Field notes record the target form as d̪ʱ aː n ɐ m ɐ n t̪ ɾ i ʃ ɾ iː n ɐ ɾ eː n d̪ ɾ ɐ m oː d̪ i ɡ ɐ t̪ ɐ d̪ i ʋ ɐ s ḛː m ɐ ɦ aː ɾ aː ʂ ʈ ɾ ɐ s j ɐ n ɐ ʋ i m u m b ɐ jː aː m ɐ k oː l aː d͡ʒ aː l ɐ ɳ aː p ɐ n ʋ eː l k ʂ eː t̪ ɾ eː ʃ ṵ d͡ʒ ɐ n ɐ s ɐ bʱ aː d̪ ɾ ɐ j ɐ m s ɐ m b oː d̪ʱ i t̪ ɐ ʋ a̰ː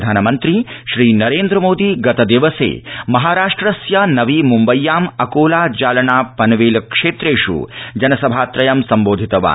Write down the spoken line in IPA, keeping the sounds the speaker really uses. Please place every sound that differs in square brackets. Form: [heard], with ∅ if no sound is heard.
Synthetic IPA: d̪ʱ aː n ɐ m ɐ n t̪ ɾ i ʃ ɾ iː n ɐ ɾ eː n d̪ ɾ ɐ m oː d̪ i ɡ ɐ t̪ ɐ d̪ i ʋ ɐ s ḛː m ɐ ɦ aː ɾ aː ʂ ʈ ɾ ɐ s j ɐ n ɐ ʋ i m u m b ɐ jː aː m ɐ k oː l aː d͡ʒ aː l ɐ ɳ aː p ɐ n ʋ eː l k ʂ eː t̪ ɾ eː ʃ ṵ d͡ʒ ɐ n ɐ s ɐ bʱ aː [t̪] ɾ ɐ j ɐ m s ɐ m b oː d̪ʱ i t̪ ɐ ʋ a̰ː